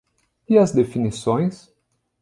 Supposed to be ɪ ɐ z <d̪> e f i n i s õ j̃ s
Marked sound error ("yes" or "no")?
no